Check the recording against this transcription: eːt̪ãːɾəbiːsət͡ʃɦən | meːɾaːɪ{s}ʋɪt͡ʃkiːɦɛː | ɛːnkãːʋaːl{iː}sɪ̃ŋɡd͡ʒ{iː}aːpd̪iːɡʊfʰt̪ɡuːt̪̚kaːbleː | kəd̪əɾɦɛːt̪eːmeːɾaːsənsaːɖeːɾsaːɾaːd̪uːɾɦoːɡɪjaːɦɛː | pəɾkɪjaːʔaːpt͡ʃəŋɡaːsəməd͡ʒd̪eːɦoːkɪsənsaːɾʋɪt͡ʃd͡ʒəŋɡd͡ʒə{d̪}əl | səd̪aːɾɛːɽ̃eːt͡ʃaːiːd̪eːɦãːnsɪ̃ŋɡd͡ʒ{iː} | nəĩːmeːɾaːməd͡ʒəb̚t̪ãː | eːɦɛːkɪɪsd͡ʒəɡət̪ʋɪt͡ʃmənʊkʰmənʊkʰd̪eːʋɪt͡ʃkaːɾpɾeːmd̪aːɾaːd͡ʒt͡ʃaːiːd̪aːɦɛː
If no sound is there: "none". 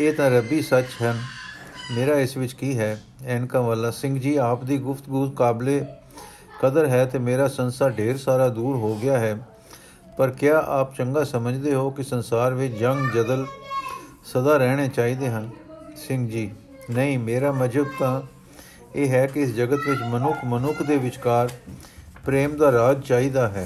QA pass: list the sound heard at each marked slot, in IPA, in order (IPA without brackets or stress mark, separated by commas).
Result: s, aː, iː, d̪, iː